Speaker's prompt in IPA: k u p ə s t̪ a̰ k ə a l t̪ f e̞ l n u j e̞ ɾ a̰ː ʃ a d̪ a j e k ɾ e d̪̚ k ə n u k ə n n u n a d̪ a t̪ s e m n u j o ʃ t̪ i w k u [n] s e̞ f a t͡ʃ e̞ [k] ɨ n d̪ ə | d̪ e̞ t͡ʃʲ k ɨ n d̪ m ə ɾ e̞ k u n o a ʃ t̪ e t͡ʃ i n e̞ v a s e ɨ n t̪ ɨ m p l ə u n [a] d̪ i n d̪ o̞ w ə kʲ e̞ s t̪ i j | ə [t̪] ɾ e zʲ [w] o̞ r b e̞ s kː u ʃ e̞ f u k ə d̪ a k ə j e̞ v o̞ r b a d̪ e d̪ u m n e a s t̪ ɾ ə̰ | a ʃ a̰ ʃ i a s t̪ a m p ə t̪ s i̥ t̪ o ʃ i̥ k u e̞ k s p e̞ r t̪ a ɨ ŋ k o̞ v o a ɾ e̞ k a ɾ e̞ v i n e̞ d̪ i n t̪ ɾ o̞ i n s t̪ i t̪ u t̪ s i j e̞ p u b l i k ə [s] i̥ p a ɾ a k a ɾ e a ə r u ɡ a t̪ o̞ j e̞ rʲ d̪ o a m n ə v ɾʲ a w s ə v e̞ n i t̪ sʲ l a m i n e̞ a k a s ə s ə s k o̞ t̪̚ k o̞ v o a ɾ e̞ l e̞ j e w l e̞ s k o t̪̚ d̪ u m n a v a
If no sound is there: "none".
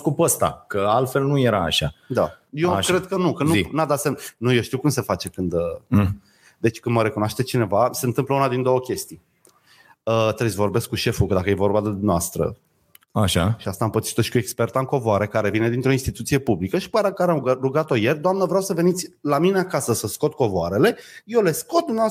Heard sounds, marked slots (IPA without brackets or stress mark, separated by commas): m, k, a, t̪, v, ʃ